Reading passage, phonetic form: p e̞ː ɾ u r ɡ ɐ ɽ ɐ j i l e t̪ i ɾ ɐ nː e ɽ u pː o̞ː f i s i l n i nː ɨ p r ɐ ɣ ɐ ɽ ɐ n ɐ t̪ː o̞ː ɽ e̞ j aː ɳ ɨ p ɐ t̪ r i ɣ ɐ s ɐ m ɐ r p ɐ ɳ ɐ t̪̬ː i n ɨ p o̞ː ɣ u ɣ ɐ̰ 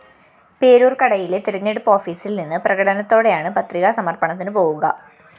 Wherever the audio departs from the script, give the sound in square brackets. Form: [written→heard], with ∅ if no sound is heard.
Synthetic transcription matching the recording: p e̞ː ɾ [u→uː] r [ɡ→k] ɐ ɽ ɐ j i l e t̪ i ɾ ɐ [nː→ɲː] e ɽ u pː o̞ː f [i→iː] s i l n i nː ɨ p r ɐ ɣ ɐ ɽ ɐ n ɐ t̪ː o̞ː ɽ e̞ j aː ɳ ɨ p ɐ t̪ r i ɣ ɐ s ɐ m ɐ r p ɐ ɳ ɐ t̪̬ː i n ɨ p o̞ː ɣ u ɣ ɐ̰